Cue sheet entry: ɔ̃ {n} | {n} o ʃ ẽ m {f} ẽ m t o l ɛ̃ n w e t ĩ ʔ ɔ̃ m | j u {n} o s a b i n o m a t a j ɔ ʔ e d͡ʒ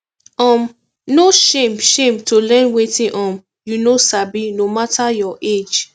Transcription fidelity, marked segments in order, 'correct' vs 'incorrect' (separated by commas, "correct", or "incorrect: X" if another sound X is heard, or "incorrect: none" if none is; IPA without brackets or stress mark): incorrect: m, correct, incorrect: ʃ, correct